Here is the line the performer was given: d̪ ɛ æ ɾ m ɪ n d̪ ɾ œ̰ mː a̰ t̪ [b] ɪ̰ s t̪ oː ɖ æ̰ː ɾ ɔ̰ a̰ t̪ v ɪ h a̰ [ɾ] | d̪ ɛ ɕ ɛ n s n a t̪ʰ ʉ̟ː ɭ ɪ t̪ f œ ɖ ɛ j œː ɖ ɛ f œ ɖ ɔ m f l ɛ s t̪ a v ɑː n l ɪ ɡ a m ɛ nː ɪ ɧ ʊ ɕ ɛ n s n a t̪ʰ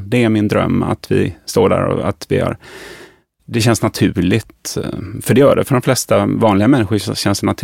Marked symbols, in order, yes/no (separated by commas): no, yes